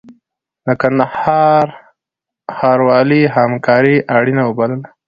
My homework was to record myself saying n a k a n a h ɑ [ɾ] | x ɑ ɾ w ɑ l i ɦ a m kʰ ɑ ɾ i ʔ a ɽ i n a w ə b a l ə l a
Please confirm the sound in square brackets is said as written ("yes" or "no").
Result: yes